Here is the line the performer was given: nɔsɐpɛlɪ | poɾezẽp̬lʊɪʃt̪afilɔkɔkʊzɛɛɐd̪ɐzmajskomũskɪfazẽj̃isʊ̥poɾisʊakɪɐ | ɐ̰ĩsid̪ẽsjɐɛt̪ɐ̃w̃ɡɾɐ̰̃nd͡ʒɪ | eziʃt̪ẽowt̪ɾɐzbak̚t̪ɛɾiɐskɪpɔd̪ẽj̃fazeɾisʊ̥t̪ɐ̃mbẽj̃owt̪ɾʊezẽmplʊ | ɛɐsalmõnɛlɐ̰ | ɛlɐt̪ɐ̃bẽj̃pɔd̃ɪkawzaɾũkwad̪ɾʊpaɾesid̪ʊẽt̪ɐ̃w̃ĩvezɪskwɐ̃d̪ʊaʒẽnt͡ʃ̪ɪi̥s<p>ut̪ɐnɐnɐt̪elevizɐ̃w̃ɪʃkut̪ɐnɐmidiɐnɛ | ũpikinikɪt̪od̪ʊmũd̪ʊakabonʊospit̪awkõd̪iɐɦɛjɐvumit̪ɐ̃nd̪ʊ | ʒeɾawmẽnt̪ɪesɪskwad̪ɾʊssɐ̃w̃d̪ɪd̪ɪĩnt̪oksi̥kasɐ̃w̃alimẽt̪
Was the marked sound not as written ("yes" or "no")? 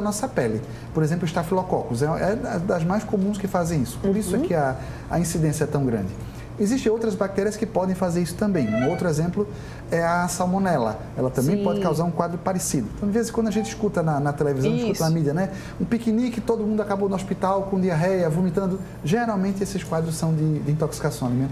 yes